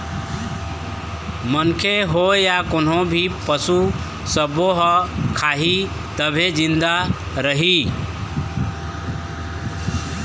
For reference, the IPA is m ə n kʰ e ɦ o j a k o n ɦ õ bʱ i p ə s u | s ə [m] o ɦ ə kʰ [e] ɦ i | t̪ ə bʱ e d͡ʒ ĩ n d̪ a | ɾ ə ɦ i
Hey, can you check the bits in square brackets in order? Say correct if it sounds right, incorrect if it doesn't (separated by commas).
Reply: incorrect, incorrect